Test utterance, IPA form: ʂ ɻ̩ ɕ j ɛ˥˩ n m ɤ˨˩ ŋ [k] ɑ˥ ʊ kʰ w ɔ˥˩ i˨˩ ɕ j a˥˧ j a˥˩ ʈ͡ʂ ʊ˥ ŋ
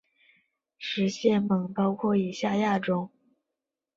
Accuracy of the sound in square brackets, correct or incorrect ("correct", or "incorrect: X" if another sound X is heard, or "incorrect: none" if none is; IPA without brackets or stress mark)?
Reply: incorrect: p